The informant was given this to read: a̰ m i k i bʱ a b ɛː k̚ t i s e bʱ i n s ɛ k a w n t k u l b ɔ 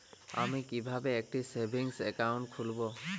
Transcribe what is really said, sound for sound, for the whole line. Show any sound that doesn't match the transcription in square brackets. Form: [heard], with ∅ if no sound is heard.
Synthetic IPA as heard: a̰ m i k i bʱ a b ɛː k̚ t i s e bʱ i [ŋ] s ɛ k a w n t [kʰ] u l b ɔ